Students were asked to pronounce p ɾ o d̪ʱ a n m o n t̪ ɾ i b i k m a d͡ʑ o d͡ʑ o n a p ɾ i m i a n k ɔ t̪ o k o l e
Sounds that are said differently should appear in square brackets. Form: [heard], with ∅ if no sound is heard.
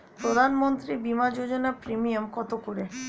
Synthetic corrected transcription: p ɾ o d̪ʱ a n m o n t̪ ɾ i b i [∅] m a d͡ʑ o d͡ʑ o n a p ɾ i m i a [m] k ɔ t̪ o k o [ɾ] e